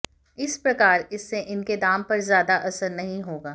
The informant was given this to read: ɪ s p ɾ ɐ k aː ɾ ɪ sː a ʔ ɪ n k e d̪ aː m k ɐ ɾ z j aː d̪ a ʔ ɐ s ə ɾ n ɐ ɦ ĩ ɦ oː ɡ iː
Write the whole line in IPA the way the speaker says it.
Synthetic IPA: ɪ s p ɾ ɐ k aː ɾ ɪ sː e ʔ ɪ n k e d̪ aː m p ɐ ɾ z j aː d̪ a ʔ ɐ s ə ɾ n ɐ ɦ ĩ ɦ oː ɡ aː